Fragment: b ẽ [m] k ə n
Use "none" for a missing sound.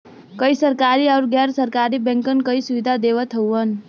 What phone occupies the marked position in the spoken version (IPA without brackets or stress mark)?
ŋ